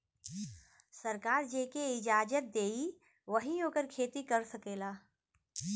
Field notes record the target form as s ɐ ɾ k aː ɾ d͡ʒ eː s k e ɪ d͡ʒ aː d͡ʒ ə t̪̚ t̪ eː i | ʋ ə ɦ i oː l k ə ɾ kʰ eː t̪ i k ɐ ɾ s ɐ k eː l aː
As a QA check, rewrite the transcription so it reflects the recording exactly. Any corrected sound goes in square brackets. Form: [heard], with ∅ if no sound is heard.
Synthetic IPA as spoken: s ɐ ɾ k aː ɾ d͡ʒ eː [∅] k e ɪ d͡ʒ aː d͡ʒ ə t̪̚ [d̪] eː i | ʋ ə ɦ i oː [∅] k ə ɾ kʰ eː t̪ i k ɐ ɾ s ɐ k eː l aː